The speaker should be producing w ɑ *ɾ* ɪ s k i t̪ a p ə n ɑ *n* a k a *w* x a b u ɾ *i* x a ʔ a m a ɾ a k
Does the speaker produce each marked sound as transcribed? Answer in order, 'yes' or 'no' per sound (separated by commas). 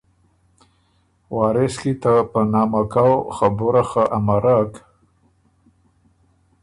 yes, no, yes, no